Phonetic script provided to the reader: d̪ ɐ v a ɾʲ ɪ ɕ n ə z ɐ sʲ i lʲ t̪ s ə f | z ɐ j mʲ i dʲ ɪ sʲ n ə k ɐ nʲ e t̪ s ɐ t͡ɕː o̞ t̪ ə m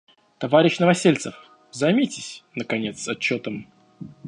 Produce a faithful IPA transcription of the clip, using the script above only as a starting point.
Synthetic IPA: t̪ ɐ v a ɾʲ ɪ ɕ n ə v ɐ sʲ e lʲ t̪ s ə f | z ɐ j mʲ i tʲ ɪ sʲ n ə k ɐ nʲ e t̪ s ɐ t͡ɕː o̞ t̪ ə m